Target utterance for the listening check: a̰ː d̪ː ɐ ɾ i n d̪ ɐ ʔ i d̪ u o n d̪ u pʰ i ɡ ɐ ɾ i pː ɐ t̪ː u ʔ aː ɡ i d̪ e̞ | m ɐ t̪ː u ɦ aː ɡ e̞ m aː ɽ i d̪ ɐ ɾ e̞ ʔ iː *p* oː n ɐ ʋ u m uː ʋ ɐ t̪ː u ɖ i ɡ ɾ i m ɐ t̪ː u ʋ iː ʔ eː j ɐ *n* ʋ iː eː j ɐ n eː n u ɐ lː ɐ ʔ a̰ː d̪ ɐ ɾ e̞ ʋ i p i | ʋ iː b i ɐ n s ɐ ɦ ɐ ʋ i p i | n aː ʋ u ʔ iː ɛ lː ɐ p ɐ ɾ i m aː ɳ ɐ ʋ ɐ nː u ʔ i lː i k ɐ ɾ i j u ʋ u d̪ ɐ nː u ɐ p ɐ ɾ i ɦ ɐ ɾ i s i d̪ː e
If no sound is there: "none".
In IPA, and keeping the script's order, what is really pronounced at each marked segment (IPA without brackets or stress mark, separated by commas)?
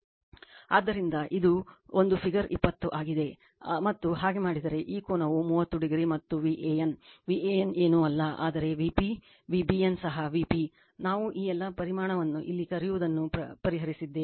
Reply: k, n